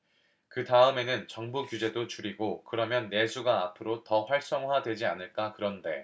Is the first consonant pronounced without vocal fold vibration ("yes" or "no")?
yes